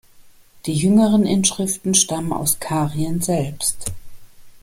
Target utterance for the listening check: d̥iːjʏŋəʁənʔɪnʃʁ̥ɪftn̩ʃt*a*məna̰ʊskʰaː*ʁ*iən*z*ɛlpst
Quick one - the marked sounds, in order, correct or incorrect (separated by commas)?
correct, correct, correct